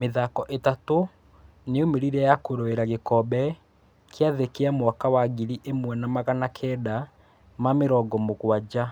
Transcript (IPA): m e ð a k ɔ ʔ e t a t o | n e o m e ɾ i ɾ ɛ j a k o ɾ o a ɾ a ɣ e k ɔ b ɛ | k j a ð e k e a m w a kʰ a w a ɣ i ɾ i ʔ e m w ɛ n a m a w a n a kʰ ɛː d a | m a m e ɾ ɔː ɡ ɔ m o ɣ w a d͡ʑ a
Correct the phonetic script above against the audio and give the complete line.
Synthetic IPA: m e ð a k ɔ ʔ e t a t o | n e o m e ɾ i ɾ ɛ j a k o ɾ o e ɾ a ɣ e k ɔ b ɛ | k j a ð e k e a m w a k a w a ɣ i ɾ i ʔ e m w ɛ n a m a ɣ a n a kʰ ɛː d a | m a m e ɾ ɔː ɡ ɔ m o ɣ w a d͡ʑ a